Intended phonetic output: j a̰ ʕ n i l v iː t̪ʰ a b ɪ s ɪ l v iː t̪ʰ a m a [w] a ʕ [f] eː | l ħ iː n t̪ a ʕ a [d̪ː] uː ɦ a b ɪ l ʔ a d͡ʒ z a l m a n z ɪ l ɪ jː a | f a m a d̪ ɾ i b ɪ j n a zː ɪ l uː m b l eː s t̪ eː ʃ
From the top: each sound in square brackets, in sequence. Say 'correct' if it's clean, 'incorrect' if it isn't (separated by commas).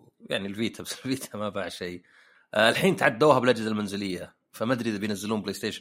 incorrect, incorrect, correct